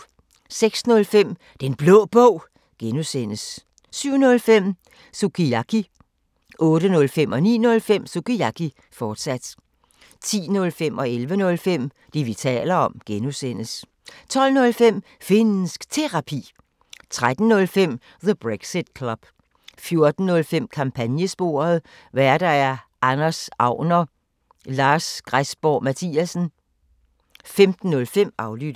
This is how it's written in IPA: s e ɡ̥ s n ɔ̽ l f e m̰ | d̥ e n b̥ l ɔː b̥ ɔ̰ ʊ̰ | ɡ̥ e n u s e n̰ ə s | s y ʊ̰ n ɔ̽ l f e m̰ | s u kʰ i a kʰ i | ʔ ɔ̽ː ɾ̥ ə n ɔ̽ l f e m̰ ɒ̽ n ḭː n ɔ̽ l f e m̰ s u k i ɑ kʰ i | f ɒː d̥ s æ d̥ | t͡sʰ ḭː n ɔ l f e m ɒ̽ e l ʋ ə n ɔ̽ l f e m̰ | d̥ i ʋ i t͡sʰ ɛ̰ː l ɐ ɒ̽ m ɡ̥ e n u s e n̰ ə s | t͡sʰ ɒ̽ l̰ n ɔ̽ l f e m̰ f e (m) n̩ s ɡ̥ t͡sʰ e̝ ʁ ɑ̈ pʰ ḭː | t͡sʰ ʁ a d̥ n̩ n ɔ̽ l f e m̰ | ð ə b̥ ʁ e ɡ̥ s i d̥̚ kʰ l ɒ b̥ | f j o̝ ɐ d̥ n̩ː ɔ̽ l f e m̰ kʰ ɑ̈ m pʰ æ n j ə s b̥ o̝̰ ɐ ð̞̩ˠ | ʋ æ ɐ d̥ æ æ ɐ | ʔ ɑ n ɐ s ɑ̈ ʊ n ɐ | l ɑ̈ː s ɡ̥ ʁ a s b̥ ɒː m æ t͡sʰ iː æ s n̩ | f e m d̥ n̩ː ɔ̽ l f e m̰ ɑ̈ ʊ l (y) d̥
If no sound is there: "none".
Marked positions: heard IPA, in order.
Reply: n, y

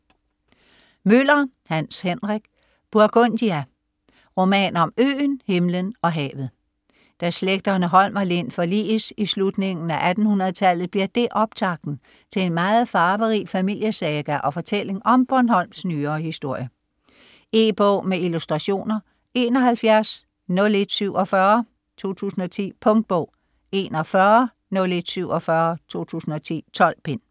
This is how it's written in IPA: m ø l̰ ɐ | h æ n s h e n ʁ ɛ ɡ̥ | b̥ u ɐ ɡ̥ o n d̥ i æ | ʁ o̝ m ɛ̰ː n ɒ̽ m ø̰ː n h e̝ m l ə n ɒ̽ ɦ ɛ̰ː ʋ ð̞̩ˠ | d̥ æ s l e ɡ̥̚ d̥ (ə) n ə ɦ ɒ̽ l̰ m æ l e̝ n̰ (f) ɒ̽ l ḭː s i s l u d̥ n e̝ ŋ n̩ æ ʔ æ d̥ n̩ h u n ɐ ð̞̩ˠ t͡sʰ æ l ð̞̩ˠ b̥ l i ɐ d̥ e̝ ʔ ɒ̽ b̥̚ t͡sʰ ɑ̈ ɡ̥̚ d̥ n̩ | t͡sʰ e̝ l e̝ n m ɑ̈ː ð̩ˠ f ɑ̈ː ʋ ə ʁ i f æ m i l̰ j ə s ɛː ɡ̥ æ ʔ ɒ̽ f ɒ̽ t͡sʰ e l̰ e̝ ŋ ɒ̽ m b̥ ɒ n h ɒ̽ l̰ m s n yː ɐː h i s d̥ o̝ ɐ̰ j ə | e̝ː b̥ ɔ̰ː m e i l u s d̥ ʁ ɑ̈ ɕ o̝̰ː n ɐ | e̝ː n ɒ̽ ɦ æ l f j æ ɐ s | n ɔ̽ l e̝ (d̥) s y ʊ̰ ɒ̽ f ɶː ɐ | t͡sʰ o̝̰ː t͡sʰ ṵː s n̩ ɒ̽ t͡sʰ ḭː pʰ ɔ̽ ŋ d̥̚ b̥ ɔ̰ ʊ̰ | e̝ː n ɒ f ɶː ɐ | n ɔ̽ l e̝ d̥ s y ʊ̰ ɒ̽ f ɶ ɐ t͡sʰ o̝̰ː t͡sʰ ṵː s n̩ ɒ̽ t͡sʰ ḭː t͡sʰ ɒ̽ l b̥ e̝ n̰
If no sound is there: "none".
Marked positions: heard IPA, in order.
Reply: ɐ, f, d̥

